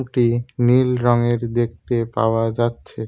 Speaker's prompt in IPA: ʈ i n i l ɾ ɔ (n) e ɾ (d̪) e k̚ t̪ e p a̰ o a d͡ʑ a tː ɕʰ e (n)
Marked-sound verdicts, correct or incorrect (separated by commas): incorrect, correct, incorrect